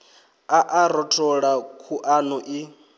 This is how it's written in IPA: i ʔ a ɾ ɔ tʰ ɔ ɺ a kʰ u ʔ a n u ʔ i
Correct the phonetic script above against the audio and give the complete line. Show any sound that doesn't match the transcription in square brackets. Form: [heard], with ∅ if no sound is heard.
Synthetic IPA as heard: [a] ʔ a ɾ ɔ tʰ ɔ ɺ a kʰ u ʔ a n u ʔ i